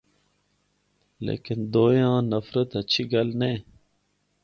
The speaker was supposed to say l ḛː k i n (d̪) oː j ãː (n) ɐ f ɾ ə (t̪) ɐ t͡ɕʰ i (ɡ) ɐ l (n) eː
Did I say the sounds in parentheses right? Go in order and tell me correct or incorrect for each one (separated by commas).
correct, correct, correct, correct, correct